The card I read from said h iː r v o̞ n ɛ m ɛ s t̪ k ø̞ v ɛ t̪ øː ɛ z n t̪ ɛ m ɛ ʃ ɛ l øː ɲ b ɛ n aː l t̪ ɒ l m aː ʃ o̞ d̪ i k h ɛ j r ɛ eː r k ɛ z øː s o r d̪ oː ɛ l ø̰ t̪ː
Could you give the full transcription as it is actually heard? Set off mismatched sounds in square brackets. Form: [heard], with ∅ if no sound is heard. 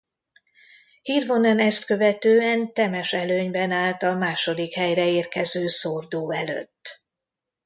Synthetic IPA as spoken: h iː r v o̞ n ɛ [n] ɛ s t̪ k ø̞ v ɛ t̪ øː ɛ [∅] n t̪ ɛ m ɛ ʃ ɛ l øː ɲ b ɛ n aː l t̪ ɒ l m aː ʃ o̞ d̪ i k h ɛ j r ɛ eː r k ɛ z øː s o r d̪ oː ɛ l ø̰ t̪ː